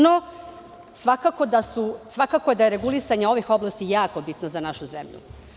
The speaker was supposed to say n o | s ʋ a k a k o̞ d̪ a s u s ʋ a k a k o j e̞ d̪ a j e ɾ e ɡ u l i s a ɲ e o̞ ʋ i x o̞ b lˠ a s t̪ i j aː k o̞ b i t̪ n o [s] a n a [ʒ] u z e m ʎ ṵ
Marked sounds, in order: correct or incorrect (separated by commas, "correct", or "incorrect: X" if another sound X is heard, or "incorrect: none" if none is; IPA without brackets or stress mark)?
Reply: incorrect: z, incorrect: ʃ